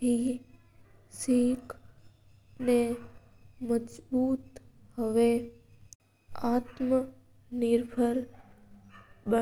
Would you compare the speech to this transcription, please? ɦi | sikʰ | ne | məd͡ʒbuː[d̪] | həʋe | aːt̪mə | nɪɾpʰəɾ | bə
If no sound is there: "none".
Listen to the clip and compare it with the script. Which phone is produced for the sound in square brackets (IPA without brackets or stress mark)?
t̪